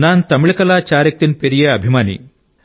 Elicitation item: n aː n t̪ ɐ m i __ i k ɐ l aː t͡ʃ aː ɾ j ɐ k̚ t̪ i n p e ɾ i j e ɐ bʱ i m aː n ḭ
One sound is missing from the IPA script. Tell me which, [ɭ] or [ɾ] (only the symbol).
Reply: ɭ